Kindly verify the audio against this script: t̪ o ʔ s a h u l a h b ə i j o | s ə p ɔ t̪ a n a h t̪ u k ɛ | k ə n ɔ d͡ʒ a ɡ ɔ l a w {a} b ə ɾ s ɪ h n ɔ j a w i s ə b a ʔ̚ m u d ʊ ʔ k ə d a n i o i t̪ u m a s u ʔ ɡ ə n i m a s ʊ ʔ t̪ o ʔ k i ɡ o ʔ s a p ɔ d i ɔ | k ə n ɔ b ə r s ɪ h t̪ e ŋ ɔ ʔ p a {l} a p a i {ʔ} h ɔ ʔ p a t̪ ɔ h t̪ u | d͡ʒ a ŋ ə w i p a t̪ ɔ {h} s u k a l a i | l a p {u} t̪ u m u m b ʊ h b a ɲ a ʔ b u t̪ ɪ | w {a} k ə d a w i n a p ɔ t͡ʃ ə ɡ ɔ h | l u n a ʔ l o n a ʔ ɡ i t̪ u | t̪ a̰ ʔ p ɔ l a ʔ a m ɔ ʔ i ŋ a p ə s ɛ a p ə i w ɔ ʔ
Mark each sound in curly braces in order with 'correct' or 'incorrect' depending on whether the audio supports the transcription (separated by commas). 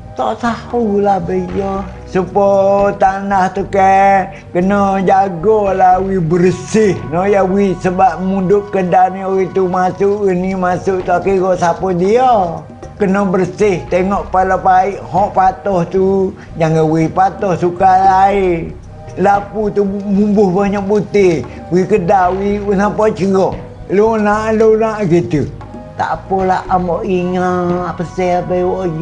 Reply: incorrect, correct, correct, correct, correct, incorrect